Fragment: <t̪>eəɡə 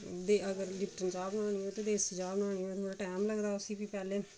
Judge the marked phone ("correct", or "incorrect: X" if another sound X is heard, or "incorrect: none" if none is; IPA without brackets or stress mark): incorrect: d̪